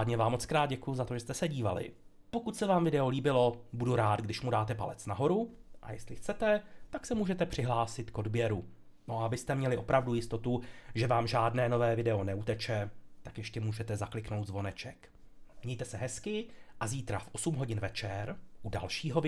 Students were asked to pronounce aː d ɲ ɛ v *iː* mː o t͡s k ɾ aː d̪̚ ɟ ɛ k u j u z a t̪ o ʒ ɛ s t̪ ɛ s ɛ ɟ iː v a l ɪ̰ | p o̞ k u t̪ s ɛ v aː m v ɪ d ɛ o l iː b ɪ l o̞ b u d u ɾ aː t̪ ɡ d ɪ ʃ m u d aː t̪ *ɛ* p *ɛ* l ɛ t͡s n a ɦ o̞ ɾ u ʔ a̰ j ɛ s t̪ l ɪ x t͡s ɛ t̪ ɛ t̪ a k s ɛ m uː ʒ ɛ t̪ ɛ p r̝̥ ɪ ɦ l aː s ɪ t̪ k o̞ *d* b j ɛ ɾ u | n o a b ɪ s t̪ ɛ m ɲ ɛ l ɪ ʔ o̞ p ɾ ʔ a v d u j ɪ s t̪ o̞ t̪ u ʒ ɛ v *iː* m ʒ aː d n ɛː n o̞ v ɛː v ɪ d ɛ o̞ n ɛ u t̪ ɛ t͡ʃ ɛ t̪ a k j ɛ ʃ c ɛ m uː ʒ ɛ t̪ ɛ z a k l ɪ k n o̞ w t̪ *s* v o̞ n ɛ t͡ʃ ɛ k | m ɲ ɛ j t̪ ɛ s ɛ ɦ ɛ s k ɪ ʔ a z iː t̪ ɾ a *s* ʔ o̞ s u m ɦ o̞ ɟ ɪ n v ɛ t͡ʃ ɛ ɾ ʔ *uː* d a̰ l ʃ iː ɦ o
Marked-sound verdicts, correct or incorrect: incorrect: aː, correct, incorrect: a, correct, incorrect: aː, incorrect: z, incorrect: f, incorrect: u

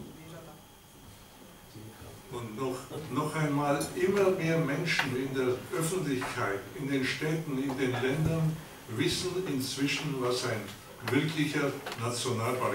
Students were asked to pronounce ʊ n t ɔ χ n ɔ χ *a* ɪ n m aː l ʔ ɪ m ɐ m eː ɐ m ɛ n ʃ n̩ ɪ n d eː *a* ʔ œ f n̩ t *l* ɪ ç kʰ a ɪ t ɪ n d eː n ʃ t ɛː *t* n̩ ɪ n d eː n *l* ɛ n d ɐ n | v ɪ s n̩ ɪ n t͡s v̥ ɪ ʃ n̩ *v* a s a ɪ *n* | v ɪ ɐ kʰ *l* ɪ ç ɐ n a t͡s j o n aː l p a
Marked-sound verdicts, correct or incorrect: correct, incorrect: ɐ, correct, correct, correct, correct, correct, correct

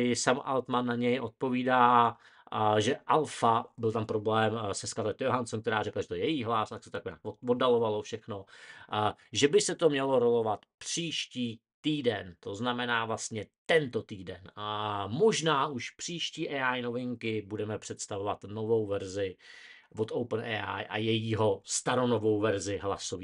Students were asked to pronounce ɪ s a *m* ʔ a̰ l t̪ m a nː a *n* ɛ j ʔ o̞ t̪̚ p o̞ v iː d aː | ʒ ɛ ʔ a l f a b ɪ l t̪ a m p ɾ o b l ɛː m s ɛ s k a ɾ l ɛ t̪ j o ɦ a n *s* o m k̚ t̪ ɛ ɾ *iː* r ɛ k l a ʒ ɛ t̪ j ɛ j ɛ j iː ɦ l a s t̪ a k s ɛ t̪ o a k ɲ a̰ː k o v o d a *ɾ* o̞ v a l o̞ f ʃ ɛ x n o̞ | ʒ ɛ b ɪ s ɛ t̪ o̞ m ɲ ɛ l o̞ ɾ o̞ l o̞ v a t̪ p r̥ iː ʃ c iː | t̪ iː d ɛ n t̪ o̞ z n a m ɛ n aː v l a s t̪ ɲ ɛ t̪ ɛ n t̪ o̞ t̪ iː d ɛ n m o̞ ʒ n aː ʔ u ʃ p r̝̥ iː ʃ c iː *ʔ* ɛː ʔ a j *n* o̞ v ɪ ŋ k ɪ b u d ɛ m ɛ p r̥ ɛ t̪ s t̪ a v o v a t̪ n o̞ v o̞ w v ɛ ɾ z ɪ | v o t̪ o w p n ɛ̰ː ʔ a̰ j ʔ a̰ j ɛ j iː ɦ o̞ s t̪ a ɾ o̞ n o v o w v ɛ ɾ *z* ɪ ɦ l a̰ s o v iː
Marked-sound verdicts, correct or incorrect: correct, incorrect: ɲ, correct, incorrect: aː, incorrect: l, correct, correct, correct

